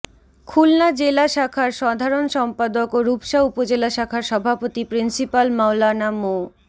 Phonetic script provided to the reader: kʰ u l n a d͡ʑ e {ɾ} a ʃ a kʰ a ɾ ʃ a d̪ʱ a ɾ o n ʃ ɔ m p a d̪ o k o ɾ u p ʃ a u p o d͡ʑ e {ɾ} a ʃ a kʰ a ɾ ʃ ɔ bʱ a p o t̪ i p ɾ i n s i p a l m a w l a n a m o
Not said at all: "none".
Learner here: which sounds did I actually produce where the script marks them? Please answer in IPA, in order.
l, l

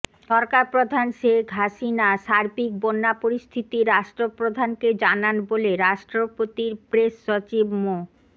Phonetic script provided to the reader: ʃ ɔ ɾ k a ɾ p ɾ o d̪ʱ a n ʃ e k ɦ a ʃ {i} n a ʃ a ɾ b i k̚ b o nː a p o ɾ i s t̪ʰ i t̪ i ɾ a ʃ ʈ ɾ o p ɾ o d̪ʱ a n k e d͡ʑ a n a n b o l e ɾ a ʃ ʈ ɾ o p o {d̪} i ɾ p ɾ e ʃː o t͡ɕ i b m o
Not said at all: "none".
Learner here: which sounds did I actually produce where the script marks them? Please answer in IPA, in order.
i, t̪

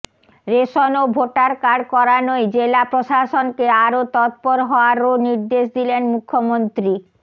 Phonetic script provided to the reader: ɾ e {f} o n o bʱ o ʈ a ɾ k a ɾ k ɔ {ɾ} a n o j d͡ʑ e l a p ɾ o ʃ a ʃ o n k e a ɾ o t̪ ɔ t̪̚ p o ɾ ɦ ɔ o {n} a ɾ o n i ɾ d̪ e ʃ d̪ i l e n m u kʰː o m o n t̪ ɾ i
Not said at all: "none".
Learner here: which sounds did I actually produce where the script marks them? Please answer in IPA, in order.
ʃ, ɾ, none

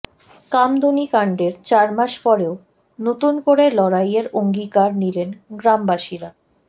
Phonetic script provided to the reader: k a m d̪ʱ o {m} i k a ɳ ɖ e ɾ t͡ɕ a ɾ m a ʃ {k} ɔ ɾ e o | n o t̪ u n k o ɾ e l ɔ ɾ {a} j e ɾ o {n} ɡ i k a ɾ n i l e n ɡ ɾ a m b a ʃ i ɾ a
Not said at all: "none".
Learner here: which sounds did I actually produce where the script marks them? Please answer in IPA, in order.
n, p, a, ŋ

